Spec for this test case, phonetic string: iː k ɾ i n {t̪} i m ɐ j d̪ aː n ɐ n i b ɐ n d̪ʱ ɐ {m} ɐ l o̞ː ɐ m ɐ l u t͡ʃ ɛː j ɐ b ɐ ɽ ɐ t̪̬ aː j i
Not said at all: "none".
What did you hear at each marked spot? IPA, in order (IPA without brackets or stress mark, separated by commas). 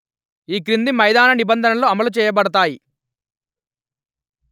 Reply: d̪, n